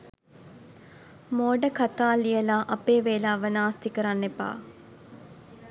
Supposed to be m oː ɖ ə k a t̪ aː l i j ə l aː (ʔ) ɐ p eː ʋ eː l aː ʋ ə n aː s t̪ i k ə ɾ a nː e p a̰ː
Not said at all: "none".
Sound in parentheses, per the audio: ʔ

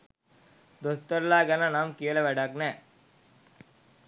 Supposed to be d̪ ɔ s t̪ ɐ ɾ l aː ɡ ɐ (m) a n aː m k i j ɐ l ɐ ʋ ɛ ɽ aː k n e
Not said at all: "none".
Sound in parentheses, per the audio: n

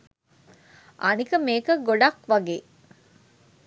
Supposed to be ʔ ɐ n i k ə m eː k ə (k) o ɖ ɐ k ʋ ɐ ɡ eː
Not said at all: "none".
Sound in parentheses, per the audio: ɡ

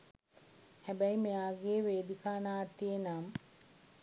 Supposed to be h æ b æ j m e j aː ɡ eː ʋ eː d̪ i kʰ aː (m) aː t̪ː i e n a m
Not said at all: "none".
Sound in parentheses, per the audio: n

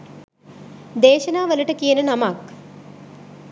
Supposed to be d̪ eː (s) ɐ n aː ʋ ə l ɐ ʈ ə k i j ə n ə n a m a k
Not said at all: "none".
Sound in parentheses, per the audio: ʃ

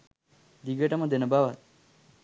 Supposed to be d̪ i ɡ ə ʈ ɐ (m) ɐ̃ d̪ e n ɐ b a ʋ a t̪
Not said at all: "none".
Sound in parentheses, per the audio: m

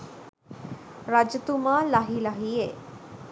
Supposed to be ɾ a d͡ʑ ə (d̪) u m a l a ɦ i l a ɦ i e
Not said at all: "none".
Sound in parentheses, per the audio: t̪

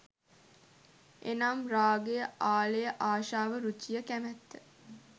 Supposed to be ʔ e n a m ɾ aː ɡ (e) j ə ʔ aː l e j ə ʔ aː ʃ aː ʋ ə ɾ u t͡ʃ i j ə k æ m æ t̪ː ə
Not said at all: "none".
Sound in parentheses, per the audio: e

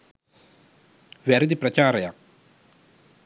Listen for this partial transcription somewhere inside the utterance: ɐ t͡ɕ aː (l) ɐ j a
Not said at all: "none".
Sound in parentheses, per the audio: ɾ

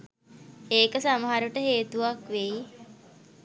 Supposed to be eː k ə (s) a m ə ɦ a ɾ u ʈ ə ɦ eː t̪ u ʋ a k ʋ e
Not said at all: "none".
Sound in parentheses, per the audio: s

